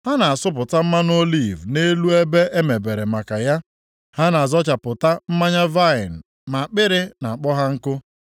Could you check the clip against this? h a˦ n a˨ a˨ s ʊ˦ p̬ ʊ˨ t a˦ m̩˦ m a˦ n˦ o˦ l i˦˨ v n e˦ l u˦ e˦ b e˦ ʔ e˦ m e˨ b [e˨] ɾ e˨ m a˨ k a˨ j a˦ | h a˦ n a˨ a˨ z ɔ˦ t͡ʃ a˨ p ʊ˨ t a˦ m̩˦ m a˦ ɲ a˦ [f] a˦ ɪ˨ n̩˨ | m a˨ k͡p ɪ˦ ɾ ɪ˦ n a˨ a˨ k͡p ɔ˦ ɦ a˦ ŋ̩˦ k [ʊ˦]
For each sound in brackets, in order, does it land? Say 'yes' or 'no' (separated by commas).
yes, no, yes